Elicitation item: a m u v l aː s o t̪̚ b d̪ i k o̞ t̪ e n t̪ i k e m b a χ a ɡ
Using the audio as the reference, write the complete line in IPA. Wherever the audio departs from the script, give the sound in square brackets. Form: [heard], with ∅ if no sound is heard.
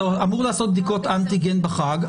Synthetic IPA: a m u [ʁ] l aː s o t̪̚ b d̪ i k o̞ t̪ [a] n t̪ i [ɡ] e [n] b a χ a ɡ

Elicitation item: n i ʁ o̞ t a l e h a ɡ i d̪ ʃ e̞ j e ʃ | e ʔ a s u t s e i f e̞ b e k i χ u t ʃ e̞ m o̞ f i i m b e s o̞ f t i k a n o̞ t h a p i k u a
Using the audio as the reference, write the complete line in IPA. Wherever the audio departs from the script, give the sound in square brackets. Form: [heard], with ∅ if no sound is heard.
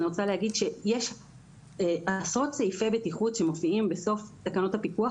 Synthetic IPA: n i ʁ o̞ [t͡s] a l e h a ɡ i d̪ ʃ e̞ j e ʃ | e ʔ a s [o] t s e i f e̞ b e [t] i χ u t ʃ e̞ m o̞ f i i m b e s o̞ f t [a] k a n o̞ t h a p i k u a

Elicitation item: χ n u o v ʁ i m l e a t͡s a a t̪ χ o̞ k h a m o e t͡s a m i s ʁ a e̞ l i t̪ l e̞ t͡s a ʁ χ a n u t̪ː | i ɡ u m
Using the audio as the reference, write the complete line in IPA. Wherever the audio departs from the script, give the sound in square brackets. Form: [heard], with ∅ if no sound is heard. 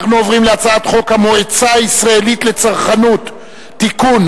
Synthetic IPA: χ n u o v ʁ i m l e a t͡s a a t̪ χ o̞ k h a m o e t͡s a [∅] i s ʁ a e̞ l i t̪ l e̞ t͡s a ʁ χ a n u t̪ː | i [k] u [n]

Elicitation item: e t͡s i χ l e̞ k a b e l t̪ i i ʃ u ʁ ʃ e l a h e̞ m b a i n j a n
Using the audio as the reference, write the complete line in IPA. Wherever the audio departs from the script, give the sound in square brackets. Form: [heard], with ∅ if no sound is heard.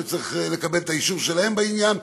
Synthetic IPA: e t͡s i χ l e̞ k a b e l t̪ [a] i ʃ u ʁ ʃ e l a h e̞ m b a i n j a n

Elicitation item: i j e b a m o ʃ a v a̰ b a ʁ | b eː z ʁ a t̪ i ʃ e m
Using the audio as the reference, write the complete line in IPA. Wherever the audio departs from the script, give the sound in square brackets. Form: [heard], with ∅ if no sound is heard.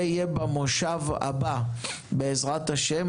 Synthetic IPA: i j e b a m o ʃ a v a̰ b a [∅] | b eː z ʁ a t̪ [a] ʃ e m

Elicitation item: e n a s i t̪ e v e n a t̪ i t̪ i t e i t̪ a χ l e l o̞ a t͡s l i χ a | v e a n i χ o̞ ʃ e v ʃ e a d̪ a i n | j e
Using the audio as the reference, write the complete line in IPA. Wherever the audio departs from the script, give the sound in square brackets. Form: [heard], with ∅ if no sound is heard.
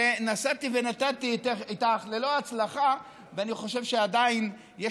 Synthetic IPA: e n a s [a] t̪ [i] v e n a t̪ [a] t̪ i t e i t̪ a χ l e l o̞ a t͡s l [a] χ a | v e a n i χ o̞ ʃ e v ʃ e a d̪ a i n | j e

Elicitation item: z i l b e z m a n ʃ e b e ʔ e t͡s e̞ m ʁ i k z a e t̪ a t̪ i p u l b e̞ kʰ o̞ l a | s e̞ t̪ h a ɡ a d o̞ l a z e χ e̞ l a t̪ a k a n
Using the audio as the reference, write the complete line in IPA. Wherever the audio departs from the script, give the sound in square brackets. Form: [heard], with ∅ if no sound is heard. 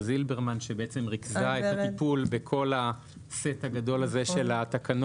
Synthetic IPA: z i l b e [ʁ] m a n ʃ e b e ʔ e t͡s e̞ m ʁ i k z a e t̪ a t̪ i p u l b e̞ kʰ o̞ l a | s e̞ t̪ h a ɡ a d o̞ l a z e [ʃ] e̞ l a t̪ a k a n

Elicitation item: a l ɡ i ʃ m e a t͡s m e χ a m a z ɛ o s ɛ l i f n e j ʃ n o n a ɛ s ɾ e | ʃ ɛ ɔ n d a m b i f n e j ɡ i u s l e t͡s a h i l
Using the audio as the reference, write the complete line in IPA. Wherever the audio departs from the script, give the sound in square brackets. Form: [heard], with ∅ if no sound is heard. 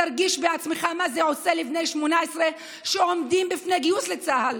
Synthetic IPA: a [ɾ] ɡ i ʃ [b] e a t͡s m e χ a m a z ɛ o s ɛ l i f n e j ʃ [m] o n a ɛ s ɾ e | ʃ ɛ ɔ [m] d [i] m b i f n e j ɡ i u s l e t͡s a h [a] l

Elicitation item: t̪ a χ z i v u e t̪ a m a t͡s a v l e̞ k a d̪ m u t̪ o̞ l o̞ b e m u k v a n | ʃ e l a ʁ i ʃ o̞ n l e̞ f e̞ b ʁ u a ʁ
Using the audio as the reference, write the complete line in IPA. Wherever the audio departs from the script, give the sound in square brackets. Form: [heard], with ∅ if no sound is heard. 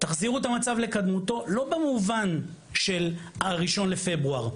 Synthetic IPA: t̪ a χ z i [ʁ] u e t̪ a m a t͡s a v l e̞ k a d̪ m u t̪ o̞ l o̞ b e m u [∅] v a n | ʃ e l a ʁ i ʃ o̞ n l e̞ f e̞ b ʁ u a ʁ

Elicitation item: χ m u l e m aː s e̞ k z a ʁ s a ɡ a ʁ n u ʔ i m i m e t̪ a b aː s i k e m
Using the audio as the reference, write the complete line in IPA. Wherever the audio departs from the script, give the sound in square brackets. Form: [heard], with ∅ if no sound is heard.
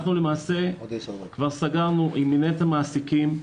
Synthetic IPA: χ [n] u l e m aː s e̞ k [v] a ʁ s a ɡ a ʁ n u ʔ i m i [n] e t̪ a [m] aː s i k [i] m

